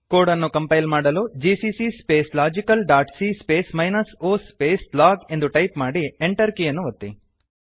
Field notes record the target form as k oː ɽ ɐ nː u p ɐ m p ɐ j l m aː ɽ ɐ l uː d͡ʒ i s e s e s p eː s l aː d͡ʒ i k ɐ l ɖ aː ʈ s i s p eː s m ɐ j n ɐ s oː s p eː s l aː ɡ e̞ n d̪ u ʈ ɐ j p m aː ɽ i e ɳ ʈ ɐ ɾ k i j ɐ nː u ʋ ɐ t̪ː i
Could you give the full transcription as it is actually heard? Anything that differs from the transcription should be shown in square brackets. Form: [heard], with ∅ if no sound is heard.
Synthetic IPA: k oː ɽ ɐ nː u [k] ɐ m p ɐ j l m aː ɽ ɐ l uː d͡ʒ i s [i] s [i] s p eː s l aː d͡ʒ i k ɐ l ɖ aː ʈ s i s p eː s m ɐ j n ɐ s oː s p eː s l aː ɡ e̞ n d̪ u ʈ ɐ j p m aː ɽ i e ɳ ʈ ɐ ɾ k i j ɐ nː u ʋ ɐ t̪ː i